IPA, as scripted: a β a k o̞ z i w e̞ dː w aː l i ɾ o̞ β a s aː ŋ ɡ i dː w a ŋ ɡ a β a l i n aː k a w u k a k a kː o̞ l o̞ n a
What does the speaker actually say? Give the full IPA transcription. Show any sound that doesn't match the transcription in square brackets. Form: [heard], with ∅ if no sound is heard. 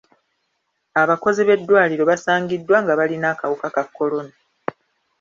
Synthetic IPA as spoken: a β a k o̞ z i [β] e̞ dː w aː l i ɾ o̞ β a s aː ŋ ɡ i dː w a ŋ ɡ a β a l i n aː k a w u k a k a kː o̞ l o̞ n a